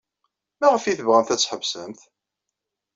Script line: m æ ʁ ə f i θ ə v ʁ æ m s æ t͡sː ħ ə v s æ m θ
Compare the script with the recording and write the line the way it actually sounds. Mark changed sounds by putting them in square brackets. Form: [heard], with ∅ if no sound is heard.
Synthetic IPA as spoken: m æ ʁ ə f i θ ə v ʁ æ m [θ] æ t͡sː ħ ə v s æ m θ